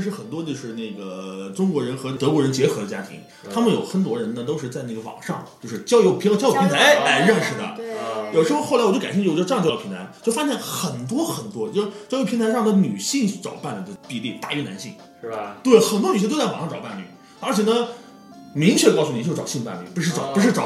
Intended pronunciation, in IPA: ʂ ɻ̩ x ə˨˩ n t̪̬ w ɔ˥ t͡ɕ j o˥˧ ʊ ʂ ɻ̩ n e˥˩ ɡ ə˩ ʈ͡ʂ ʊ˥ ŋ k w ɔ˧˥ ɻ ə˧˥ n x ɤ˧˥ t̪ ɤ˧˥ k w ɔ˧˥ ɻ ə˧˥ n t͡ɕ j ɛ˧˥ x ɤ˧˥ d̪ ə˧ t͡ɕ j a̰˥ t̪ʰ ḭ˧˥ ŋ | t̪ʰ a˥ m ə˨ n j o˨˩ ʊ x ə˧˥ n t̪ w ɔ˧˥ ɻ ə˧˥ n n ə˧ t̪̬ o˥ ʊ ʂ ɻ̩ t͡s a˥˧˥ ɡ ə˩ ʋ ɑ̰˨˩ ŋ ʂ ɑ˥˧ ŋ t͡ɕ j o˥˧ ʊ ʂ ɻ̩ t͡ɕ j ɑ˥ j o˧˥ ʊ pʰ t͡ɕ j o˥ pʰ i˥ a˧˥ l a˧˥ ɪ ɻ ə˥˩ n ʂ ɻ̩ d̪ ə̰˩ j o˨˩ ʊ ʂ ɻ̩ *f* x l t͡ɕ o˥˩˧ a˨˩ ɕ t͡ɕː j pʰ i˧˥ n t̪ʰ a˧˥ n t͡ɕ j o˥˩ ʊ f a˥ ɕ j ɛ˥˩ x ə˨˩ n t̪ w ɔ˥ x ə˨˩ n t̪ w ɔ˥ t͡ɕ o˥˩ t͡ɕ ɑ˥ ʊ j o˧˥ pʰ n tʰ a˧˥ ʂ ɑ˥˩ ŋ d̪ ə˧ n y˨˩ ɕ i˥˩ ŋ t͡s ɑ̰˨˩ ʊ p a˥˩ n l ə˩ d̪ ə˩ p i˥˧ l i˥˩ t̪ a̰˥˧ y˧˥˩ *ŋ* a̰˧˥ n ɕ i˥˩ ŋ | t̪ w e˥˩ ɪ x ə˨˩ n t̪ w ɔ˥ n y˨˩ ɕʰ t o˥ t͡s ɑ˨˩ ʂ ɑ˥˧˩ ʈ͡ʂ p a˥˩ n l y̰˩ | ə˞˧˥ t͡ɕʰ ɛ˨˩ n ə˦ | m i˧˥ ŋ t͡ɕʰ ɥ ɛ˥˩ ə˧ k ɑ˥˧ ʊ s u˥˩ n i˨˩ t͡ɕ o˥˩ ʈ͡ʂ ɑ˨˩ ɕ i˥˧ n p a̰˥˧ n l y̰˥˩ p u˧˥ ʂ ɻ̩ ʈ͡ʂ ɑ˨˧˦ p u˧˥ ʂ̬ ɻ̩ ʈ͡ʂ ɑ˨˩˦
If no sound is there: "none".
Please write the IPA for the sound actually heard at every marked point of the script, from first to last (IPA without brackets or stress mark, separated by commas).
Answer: x, n